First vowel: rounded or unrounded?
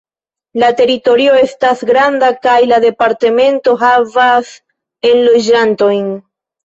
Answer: unrounded